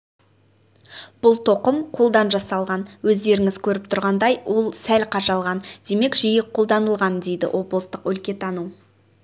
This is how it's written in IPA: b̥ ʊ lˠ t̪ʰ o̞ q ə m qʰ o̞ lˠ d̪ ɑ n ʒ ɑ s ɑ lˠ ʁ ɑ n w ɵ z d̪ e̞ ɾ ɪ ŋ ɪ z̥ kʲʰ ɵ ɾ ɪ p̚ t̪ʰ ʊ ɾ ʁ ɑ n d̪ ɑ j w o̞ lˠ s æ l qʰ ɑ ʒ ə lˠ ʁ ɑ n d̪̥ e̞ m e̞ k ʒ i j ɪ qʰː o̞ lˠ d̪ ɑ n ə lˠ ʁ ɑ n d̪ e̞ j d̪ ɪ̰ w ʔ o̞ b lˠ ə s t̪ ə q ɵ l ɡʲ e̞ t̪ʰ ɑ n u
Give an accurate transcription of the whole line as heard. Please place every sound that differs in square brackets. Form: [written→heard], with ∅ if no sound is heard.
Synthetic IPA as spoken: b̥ ʊ lˠ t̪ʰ o̞ q ə m qʰ o̞ lˠ d̪ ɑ n ʒ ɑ s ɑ lˠ ʁ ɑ n w ɵ z d̪ e̞ ɾ ɪ ŋ ɪ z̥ kʲʰ ɵ ɾ ɪ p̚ t̪ʰ ʊ ɾ ʁ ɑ n d̪ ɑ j w o̞ lˠ s æ l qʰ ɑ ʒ [ə→ɑ] lˠ ʁ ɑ n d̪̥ e̞ m e̞ k ʒ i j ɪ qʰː o̞ lˠ d̪ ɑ n ə lˠ ʁ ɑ n d̪ e̞ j d̪ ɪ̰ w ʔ o̞ b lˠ ə s t̪ ə q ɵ l [ɡʲ→kʲ] e̞ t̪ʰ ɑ n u

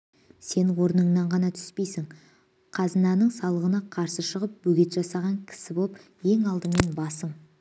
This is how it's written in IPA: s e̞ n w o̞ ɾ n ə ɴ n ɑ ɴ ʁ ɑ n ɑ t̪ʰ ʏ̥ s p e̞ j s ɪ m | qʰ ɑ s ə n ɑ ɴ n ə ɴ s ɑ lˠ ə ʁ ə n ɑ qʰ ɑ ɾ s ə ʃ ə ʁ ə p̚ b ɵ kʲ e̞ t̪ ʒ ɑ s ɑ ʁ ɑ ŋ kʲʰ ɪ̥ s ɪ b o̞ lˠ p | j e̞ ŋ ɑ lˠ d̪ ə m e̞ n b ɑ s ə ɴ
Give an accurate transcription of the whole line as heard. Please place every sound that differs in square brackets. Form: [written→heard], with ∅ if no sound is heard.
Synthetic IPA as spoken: s e̞ n w o̞ ɾ n ə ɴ n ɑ ɴ ʁ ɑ n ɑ t̪ʰ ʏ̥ s p e̞ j s ɪ [m→ŋ] | qʰ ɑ [s→z] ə n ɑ [ɴ→∅] n ə ɴ s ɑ lˠ ə ʁ ə n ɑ qʰ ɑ ɾ s ə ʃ ə ʁ ə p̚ b ɵ [kʲ→ɡʲ] e̞ t̪ ʒ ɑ s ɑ ʁ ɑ ŋ kʲʰ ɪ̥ s ɪ b o̞ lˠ p | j e̞ ŋ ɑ lˠ d̪ ə m e̞ n b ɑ s ə ɴ

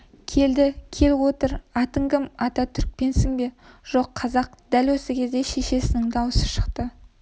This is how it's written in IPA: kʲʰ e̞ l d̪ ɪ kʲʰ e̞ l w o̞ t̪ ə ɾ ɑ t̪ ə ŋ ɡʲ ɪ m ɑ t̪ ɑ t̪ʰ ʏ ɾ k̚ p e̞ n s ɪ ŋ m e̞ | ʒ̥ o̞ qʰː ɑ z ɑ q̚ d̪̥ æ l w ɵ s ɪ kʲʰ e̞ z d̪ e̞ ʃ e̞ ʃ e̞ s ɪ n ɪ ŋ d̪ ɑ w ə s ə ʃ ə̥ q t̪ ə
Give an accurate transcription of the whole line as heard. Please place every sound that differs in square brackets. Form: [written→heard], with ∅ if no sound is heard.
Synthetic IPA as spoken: kʲʰ e̞ l d̪ ɪ kʲʰ e̞ l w o̞ t̪ ə ɾ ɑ t̪ ə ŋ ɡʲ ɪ m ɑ t̪ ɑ t̪ʰ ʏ ɾ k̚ p e̞ n s ɪ ŋ [m→b] e̞ | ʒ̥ o̞ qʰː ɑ z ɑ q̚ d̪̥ æ l w ɵ s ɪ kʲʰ e̞ z d̪ e̞ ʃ e̞ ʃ e̞ s ɪ n ɪ ŋ d̪ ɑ w ə s ə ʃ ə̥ q t̪ ə

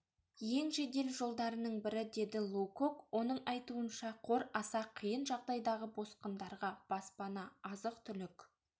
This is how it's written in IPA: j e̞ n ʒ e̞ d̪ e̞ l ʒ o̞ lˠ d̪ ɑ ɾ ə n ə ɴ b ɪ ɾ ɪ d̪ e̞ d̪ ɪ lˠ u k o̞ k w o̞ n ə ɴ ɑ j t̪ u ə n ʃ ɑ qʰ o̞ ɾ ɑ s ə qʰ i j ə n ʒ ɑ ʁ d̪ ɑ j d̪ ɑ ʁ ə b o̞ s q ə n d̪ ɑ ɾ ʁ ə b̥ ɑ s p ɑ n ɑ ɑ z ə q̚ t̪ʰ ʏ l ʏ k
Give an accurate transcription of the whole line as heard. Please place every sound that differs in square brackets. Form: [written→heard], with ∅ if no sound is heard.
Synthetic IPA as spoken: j e̞ [n→ŋ] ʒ e̞ d̪ e̞ l ʒ o̞ lˠ d̪ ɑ ɾ ə n ə ɴ b ɪ ɾ ɪ d̪ e̞ d̪ ɪ lˠ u k o̞ k w o̞ n ə ɴ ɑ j t̪ u ə n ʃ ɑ qʰ o̞ ɾ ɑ s [ə→ɑ] qʰ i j ə n ʒ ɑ ʁ d̪ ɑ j d̪ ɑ ʁ ə b o̞ s q ə n d̪ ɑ ɾ ʁ [ə→ɑ] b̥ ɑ s p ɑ n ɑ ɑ z ə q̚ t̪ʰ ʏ l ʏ k

